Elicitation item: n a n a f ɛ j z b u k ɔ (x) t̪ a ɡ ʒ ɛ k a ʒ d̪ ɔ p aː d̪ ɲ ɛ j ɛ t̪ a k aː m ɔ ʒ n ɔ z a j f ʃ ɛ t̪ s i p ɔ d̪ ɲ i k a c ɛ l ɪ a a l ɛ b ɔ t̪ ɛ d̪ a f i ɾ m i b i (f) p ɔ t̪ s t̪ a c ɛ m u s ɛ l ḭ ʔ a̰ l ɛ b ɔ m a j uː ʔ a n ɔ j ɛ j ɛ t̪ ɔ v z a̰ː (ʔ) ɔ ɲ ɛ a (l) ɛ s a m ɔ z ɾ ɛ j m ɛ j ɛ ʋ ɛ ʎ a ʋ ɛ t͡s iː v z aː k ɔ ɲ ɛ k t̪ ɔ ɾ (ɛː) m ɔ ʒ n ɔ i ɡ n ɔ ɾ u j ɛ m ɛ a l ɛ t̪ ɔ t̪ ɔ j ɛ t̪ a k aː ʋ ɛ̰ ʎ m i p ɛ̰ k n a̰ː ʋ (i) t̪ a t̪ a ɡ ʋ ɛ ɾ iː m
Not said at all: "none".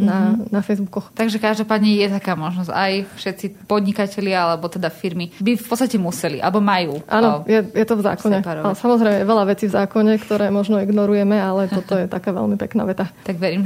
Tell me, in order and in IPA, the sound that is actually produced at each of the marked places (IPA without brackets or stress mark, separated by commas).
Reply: x, f, k, l, ɛː, ɛ